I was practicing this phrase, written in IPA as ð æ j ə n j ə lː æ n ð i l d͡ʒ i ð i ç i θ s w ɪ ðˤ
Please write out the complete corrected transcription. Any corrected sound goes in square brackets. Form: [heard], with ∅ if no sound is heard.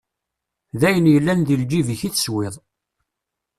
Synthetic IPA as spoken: ð æ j ə n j ə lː æ n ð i l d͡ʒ i [v] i ç i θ s w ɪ ðˤ